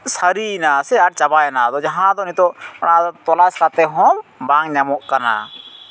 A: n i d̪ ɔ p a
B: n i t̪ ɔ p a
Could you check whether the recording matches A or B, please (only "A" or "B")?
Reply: B